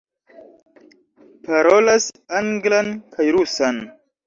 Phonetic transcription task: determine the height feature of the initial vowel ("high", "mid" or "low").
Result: low